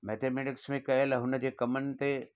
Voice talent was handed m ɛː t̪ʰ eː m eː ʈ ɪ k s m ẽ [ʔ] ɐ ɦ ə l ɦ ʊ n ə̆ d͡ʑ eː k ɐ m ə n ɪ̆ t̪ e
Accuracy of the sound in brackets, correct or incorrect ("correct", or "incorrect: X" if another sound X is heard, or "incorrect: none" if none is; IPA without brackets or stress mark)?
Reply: incorrect: k